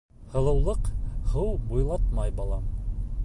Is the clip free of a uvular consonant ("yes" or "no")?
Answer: no